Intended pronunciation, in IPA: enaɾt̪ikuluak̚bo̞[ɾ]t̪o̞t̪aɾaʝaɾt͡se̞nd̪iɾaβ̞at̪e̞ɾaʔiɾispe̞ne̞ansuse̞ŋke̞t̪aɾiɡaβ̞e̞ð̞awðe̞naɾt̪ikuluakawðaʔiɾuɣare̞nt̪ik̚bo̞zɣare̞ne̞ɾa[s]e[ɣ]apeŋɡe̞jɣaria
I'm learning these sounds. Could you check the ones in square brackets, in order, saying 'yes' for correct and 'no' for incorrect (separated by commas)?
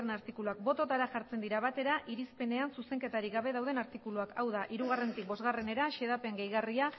no, no, no